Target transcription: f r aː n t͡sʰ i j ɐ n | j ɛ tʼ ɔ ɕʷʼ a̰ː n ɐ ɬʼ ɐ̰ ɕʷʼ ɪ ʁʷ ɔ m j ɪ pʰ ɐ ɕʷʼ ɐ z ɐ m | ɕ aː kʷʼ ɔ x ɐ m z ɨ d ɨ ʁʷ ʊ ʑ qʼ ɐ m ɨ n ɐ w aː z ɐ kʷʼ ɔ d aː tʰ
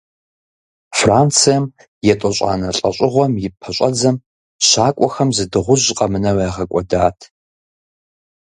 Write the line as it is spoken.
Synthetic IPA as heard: f r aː n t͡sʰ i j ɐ m | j ɛ tʼ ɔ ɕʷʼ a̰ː n ɐ ɬʼ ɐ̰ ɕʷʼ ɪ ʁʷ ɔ m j ɪ pʰ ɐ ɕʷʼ ɐ d͡z ɐ m | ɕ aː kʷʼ ɔ x ɐ m z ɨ d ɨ ʁʷ ʊ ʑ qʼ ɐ m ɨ n ɐ w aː ʁ ɐ kʷʼ ɔ d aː tʰ